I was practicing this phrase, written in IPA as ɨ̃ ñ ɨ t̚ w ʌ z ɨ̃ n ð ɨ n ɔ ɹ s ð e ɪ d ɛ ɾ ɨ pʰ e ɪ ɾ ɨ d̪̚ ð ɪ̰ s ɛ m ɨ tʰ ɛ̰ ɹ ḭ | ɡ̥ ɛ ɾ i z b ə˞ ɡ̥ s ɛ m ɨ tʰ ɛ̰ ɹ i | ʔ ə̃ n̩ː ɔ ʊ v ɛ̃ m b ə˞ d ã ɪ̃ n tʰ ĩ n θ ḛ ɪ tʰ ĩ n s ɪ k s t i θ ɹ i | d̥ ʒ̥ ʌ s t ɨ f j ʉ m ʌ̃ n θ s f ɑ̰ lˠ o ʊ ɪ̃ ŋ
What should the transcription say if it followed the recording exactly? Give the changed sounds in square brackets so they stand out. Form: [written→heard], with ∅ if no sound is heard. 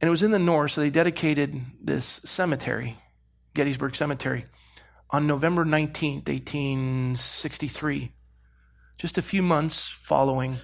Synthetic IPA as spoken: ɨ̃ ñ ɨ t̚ w ʌ z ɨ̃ n ð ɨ n ɔ ɹ s ð e ɪ d ɛ ɾ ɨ [pʰ→kʰ] e ɪ ɾ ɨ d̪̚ ð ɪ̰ s ɛ m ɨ tʰ ɛ̰ ɹ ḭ | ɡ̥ ɛ ɾ i z b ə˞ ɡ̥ s ɛ m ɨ tʰ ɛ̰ ɹ i | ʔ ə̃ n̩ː [ɔ→o] ʊ v ɛ̃ m b ə˞ [d→n] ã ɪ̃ n tʰ ĩ n θ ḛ ɪ tʰ ĩ n s ɪ k s t i θ ɹ i | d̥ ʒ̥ ʌ s t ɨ f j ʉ m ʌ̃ n θ s f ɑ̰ lˠ o ʊ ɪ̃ ŋ